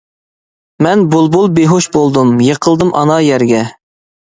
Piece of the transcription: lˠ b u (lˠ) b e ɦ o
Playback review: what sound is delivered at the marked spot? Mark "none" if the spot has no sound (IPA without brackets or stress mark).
lˠ